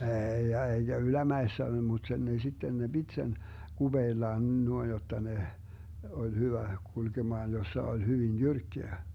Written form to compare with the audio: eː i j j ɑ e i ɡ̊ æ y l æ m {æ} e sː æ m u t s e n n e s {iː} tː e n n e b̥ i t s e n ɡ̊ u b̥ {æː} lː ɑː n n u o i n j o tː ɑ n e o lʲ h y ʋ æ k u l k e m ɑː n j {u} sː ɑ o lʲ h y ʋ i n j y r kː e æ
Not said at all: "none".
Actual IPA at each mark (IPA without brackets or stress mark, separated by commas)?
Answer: æ, i, eː, o